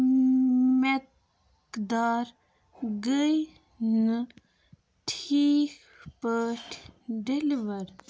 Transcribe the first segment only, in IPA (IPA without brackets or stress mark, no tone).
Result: m